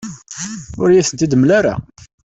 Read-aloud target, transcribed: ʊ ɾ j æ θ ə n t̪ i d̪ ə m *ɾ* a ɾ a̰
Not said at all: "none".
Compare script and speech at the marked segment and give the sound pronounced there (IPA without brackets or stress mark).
l